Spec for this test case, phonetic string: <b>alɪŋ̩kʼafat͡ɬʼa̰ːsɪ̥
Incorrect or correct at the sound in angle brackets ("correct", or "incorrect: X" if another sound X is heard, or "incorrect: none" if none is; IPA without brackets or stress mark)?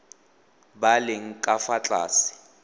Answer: correct